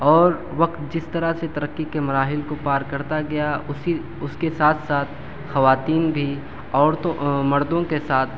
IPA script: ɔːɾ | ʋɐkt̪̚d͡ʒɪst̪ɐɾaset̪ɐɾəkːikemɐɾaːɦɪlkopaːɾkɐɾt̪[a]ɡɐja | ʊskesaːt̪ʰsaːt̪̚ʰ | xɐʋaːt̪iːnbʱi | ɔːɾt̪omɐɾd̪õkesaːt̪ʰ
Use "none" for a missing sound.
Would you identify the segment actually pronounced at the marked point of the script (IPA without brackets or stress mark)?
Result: a